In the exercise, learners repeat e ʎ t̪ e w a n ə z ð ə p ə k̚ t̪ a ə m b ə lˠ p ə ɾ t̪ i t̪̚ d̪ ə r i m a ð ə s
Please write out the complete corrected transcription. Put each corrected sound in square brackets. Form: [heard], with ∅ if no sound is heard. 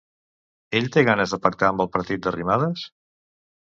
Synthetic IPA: e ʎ t̪ e [ɣ] a n ə z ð ə p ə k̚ t̪ a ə m b ə lˠ p ə ɾ t̪ i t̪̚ d̪ ə r i m a ð ə s

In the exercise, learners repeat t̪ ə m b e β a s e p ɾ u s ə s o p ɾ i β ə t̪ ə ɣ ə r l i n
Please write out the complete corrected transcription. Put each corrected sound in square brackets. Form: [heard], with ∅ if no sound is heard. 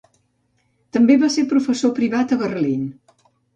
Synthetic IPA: t̪ ə m b e β a s e p ɾ u [f] ə s o p ɾ i β [a] t̪ ə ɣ ə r l i n

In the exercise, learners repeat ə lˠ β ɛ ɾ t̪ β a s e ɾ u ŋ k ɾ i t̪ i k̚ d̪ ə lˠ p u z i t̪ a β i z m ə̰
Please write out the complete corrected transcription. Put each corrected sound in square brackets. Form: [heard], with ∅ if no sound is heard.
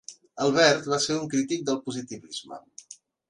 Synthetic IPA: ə lˠ β ɛ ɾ t̪ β a s e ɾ u ŋ k ɾ i t̪ i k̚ d̪ ə lˠ p u z i t̪ [i] β i z m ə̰

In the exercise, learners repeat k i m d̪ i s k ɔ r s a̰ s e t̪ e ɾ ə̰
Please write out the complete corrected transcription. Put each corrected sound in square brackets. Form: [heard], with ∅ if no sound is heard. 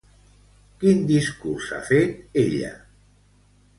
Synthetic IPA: k i [n] d̪ i s k [u] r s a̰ [f] e t̪ e [ʎ] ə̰

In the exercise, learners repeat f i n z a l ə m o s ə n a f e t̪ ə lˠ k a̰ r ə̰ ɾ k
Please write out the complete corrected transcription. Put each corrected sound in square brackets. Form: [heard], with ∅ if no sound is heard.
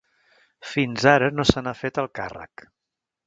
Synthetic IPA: f i n z a [ɾ] ə [n] o s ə n a f e t̪ ə lˠ k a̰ r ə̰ [∅] k

